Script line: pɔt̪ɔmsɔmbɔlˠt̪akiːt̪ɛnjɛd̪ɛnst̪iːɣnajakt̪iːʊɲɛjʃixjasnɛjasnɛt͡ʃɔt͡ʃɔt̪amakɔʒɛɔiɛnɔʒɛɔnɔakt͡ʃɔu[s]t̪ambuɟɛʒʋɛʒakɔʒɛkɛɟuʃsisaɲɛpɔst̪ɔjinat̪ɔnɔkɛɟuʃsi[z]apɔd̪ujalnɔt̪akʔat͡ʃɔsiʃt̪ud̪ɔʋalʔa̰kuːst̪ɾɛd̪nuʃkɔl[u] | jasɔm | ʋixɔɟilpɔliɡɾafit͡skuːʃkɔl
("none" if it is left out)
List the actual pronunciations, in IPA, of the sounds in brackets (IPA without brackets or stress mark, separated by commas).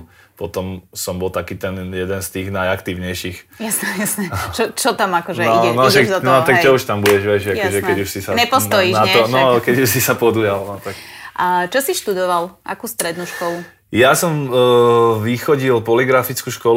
ʃ, s, u